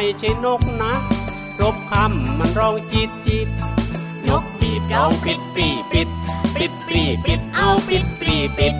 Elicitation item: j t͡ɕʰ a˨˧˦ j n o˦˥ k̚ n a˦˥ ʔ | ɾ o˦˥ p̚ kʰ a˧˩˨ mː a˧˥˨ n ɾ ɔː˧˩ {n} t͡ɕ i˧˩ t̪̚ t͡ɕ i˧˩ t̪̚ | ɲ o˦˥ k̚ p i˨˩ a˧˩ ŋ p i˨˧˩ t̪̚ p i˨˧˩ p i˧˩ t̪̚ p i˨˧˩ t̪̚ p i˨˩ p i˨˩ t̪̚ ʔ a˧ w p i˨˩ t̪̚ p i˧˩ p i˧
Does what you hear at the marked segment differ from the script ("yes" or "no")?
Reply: yes